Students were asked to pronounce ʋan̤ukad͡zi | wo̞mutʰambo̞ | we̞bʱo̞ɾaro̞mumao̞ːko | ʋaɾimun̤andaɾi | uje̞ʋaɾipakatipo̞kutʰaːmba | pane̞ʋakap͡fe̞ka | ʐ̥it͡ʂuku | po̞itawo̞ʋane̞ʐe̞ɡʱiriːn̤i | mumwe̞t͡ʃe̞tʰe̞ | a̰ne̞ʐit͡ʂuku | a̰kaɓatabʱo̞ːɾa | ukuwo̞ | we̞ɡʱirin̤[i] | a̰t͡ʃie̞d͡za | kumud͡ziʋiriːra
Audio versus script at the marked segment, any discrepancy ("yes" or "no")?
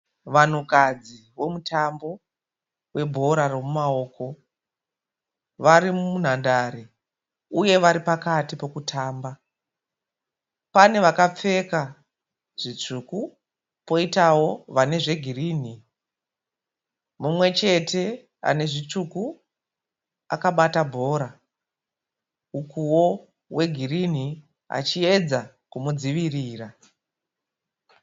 no